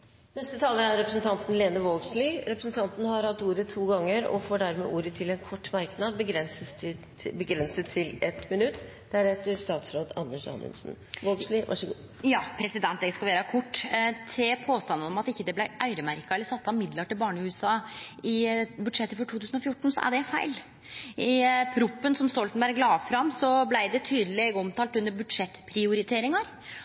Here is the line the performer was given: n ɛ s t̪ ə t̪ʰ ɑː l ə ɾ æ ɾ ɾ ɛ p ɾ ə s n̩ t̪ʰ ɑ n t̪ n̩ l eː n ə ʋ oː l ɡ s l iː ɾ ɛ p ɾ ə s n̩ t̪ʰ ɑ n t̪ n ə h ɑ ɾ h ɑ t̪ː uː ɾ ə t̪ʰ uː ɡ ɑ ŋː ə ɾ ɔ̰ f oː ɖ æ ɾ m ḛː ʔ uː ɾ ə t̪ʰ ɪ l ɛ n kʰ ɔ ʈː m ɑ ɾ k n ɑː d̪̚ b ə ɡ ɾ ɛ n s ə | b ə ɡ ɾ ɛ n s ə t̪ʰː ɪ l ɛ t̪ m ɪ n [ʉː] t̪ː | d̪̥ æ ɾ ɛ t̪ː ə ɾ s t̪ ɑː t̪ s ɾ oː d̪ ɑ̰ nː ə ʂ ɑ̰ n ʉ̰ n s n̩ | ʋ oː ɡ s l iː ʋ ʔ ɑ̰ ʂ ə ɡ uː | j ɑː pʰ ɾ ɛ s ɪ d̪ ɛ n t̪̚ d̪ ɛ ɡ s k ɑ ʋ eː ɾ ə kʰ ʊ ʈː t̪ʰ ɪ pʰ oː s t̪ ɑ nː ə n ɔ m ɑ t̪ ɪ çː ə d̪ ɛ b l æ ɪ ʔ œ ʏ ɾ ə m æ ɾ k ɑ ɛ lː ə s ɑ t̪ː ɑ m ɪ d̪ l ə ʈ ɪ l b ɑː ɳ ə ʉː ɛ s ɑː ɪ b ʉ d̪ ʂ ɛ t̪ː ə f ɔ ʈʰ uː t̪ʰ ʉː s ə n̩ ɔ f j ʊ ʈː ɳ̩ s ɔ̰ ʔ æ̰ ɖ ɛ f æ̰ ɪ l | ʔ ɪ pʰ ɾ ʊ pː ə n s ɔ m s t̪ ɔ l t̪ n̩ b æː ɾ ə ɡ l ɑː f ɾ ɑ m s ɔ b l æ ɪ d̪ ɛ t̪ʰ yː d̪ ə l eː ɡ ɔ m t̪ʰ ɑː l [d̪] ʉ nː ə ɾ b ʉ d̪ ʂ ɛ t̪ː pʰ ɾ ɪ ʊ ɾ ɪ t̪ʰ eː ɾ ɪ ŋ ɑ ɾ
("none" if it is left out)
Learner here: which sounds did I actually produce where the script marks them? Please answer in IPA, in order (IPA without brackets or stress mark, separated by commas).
ʉ, t̪